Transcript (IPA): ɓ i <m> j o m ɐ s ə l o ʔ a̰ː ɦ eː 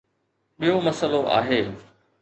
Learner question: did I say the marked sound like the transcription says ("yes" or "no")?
no